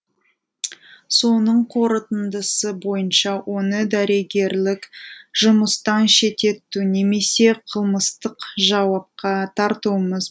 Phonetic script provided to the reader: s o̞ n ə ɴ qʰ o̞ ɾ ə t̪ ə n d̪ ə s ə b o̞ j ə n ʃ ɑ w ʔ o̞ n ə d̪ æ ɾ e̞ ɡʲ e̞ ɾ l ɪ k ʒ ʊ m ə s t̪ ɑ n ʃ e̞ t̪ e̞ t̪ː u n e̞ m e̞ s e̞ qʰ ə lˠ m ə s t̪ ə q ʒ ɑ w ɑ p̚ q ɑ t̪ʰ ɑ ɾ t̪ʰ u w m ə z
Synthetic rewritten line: s o̞ n ə ɴ qʰ o̞ ɾ ə t̪ ə n d̪ ə s ə b o̞ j ə n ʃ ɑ w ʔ o̞ n ə d̪ æ ɾ e̞ ɡʲ e̞ ɾ l ɪ k ʒ ʊ m ə s t̪ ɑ n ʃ e̞ t̪ e̞ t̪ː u n e̞ m e̞ s e̞ qʰ ə lˠ m ə s t̪ ə q ʒ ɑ w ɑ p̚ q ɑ t̪ʰ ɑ ɾ t̪ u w m ə z